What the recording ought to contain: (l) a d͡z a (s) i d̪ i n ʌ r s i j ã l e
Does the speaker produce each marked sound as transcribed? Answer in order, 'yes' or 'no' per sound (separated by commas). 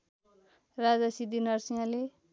no, yes